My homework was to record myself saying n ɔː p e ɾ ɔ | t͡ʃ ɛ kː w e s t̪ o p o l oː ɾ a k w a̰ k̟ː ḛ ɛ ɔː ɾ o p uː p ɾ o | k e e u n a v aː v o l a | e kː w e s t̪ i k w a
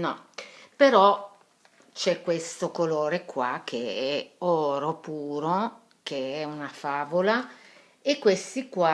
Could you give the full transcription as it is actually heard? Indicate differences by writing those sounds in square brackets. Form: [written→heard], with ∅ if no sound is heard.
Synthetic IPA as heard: n [ɔː→ɔ] p e ɾ ɔ | t͡ʃ ɛ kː w e s t̪ o [p→k] o l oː ɾ [a→e] k w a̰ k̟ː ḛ ɛ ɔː ɾ o p uː [p→∅] ɾ o | k e [e→ɛ] u n a [v→f] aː v o l a | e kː w e s t̪ i k w a